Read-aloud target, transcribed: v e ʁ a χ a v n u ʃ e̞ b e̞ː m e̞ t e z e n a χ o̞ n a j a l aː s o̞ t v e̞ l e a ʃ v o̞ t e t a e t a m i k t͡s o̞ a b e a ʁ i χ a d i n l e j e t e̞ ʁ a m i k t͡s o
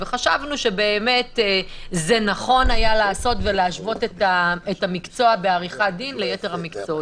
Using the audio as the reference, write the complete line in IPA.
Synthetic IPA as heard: v e χ a ʃ a v n u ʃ e̞ b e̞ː m e̞ t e z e n a χ o̞ n a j a l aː s o̞ t v e̞ l e a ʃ v o̞ t e t a e t a m i k t͡s o̞ a b e a ʁ i χ a d i n l e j e t e̞ ʁ a m i k t͡s o